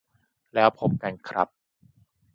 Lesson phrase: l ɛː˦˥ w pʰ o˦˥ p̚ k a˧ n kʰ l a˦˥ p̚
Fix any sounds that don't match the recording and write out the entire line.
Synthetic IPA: l ɛː˦˥ w pʰ o˦˥ p̚ k a˧ n kʰ ɾ a˦˥ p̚